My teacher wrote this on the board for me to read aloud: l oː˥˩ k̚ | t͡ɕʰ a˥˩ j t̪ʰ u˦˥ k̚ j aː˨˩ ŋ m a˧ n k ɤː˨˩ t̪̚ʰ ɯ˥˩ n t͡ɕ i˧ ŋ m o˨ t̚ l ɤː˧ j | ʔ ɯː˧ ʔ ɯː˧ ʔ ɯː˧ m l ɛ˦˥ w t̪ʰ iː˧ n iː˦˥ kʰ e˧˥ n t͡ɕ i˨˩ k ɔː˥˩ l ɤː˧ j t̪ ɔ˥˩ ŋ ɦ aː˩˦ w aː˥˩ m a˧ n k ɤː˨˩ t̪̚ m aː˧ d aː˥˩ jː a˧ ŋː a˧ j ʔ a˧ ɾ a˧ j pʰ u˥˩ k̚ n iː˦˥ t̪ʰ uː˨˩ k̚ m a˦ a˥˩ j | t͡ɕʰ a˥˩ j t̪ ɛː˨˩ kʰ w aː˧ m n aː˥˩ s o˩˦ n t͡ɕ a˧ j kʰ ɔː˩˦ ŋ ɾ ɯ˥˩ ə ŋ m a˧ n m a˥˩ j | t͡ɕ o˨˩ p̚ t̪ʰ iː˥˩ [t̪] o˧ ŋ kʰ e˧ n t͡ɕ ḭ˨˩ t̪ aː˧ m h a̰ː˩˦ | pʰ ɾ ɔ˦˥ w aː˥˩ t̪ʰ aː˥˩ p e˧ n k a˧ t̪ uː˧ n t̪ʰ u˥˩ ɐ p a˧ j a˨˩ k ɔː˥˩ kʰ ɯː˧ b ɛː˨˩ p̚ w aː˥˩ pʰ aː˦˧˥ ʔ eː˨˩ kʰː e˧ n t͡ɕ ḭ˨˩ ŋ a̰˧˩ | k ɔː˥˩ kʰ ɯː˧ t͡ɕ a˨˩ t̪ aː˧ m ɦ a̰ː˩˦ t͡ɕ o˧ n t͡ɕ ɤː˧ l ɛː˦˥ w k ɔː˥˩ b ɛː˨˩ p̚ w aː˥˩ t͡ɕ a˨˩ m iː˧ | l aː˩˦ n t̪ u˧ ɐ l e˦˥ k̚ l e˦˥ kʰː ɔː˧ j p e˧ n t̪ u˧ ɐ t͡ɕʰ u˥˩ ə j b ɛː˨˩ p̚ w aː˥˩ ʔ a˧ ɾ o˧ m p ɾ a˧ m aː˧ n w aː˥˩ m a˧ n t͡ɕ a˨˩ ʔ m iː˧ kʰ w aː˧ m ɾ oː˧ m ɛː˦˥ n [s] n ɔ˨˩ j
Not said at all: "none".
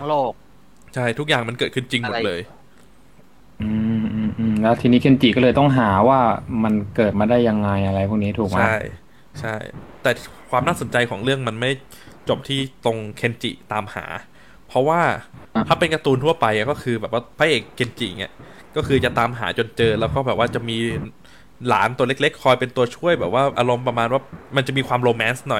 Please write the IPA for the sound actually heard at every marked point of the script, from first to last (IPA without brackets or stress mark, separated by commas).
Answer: t̪, s